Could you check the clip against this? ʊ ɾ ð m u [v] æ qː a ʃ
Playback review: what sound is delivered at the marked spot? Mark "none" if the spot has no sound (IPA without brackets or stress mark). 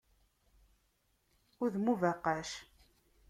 v